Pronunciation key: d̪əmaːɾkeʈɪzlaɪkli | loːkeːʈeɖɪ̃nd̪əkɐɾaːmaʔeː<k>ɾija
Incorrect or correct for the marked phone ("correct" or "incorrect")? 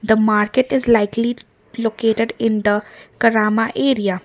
incorrect